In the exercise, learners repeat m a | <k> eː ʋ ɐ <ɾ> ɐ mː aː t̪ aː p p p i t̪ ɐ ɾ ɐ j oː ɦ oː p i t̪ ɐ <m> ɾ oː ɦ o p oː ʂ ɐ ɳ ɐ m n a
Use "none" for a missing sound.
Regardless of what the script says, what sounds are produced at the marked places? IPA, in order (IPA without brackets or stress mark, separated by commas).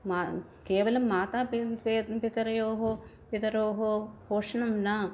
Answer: k, l, none